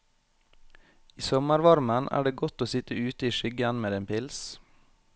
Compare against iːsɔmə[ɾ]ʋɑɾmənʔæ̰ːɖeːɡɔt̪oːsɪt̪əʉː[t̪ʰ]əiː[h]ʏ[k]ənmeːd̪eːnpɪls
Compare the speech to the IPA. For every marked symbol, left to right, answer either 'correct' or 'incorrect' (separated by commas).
correct, incorrect, incorrect, incorrect